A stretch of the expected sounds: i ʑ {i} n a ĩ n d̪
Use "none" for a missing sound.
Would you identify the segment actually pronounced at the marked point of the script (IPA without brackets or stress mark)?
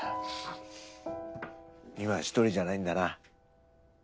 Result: a